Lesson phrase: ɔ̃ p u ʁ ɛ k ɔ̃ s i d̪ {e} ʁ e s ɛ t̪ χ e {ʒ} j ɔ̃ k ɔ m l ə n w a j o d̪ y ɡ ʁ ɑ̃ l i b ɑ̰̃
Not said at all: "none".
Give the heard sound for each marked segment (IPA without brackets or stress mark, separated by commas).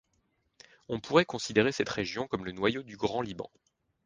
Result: e, ʒ